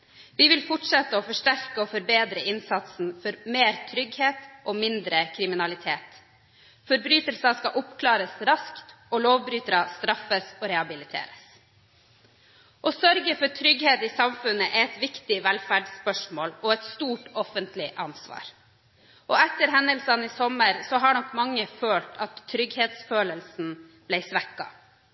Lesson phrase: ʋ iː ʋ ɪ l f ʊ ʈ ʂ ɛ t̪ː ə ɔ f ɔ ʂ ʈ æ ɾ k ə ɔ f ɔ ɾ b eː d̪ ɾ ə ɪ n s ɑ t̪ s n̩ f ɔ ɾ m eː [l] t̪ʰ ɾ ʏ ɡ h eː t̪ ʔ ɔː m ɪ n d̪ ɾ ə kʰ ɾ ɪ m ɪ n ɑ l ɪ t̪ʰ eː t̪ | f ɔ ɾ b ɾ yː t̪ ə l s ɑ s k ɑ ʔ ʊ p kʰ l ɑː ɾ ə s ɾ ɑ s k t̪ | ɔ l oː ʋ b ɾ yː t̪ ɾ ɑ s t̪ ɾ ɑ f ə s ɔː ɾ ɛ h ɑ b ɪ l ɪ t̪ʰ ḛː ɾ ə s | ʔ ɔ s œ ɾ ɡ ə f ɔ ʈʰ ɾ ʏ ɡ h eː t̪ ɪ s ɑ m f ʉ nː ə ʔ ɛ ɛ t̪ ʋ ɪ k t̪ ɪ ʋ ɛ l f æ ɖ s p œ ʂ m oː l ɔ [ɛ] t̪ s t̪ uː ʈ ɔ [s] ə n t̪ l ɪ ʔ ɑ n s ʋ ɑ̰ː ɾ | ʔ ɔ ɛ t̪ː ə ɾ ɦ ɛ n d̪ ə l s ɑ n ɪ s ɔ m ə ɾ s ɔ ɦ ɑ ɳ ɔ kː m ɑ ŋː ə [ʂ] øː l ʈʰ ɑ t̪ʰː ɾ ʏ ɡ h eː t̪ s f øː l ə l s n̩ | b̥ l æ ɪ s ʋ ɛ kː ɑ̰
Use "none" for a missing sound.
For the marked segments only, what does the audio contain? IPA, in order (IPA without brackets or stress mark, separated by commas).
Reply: ɾ, ɛ, f, f